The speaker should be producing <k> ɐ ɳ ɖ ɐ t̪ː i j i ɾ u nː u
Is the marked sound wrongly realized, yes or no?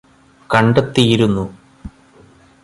no